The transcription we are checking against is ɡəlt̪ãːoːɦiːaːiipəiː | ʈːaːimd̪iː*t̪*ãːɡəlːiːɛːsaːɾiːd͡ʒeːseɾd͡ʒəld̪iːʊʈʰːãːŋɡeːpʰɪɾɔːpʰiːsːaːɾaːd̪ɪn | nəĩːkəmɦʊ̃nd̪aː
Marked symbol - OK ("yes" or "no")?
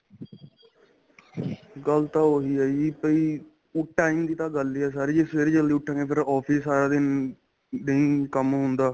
yes